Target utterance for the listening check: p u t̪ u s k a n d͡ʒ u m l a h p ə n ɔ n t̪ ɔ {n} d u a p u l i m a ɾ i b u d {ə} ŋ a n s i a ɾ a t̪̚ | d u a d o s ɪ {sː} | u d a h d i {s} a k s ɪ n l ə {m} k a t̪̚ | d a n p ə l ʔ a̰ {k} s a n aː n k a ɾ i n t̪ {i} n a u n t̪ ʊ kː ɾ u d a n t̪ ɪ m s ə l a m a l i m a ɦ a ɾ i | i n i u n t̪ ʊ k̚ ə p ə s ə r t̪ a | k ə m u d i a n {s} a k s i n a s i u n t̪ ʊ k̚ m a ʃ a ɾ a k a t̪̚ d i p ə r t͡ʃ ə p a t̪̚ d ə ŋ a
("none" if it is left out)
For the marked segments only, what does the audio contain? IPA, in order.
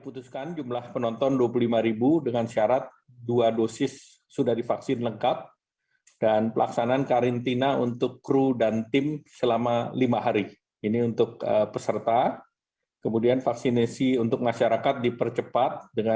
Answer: n, ə, sː, f, ŋ, k, i, f

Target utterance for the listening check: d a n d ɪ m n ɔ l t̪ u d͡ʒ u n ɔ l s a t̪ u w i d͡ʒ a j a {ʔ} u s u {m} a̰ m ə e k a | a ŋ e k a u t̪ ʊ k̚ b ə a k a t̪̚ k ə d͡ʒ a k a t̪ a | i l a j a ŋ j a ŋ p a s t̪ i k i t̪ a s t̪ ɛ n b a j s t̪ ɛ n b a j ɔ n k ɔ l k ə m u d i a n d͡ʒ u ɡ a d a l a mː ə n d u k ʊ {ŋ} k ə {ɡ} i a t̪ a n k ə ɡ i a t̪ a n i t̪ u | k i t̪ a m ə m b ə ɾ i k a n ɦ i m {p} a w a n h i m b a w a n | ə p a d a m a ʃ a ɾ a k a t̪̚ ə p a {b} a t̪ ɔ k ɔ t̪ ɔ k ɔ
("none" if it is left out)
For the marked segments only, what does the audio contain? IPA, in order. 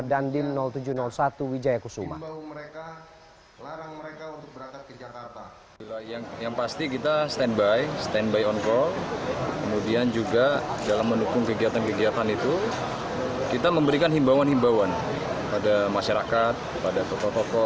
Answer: k, m, ŋ, ɡ, b, d

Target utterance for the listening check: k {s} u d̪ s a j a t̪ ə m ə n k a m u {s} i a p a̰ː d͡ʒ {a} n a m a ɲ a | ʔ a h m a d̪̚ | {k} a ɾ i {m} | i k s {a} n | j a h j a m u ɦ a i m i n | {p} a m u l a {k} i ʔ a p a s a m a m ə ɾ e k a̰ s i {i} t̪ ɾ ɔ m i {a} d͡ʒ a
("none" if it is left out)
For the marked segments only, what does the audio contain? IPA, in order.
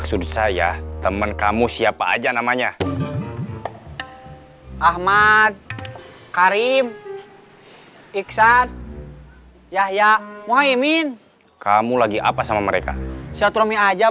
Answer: s, s, a, k, m, a, k, ɡ, a, a

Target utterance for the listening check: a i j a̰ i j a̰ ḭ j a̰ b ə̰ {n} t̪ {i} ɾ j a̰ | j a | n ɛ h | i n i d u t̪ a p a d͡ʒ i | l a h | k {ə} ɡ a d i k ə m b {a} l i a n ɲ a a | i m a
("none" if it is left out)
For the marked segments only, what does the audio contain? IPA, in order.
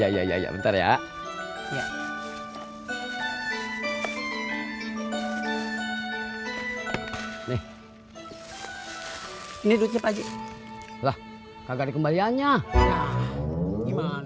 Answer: n, a, a, a

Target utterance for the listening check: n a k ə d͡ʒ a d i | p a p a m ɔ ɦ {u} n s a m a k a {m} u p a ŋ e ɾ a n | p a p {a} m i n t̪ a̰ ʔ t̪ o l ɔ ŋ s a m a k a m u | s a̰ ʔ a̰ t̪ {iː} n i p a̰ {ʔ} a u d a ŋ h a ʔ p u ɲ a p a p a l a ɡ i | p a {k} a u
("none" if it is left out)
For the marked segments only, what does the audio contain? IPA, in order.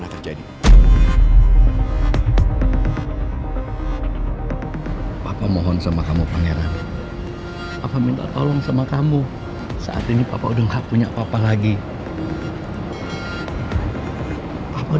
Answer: ɔ, m, a, i, p, p

